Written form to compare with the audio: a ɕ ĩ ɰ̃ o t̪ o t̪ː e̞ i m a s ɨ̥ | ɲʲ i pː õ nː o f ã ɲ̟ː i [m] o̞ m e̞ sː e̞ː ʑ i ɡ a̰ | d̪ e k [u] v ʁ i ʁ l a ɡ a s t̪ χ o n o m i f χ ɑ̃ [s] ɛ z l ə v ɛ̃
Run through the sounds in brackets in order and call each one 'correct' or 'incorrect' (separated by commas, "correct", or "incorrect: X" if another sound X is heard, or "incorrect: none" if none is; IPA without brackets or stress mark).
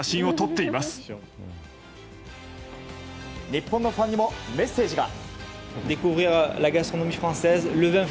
correct, correct, correct